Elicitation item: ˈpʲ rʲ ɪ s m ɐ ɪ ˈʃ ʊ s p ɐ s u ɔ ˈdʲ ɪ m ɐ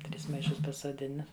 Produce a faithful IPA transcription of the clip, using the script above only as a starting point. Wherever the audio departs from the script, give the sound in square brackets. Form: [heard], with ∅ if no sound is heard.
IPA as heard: [ˈtʲ] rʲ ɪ s m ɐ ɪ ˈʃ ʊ s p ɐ s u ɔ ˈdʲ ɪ [n] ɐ